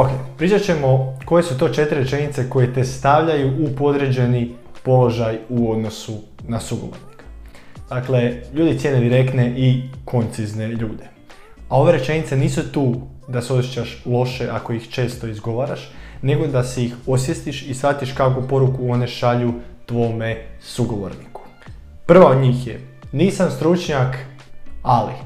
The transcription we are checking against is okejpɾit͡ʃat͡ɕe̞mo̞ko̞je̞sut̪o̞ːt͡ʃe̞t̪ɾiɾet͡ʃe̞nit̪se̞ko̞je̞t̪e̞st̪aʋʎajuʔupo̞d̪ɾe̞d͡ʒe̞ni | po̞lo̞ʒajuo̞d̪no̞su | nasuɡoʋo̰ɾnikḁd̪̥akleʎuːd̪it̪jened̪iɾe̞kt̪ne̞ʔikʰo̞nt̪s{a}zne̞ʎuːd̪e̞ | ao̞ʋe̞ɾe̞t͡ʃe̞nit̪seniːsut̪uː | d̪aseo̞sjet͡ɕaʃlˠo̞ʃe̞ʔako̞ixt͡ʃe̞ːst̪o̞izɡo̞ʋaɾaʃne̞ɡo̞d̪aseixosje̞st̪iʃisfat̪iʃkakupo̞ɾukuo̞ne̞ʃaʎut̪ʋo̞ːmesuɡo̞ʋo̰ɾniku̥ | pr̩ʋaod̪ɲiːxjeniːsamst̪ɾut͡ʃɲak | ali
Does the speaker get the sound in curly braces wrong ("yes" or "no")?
yes